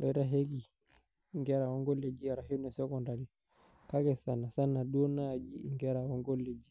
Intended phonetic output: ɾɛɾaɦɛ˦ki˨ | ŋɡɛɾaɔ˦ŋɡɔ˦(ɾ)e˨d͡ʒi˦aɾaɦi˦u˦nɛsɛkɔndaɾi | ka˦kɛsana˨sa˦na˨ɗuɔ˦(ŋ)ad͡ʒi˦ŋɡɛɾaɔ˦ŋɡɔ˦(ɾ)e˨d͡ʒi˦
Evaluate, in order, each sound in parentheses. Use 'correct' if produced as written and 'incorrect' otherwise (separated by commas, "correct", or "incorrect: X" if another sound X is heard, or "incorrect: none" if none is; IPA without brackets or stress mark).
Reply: incorrect: l, incorrect: n, incorrect: l